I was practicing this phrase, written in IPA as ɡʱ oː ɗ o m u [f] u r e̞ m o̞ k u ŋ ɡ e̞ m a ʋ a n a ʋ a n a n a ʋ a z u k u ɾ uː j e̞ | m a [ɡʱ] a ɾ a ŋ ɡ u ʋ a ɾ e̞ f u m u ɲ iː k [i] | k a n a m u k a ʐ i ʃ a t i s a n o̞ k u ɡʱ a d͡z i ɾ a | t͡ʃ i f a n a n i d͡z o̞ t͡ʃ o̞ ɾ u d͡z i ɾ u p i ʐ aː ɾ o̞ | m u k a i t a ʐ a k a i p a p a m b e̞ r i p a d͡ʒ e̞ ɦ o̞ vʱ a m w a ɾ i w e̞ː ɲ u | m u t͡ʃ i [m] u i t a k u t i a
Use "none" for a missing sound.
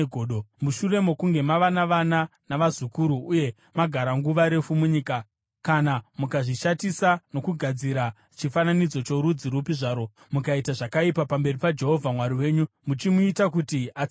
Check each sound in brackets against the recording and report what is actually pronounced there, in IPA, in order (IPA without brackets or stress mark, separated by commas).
ʃ, ɡʱ, a, m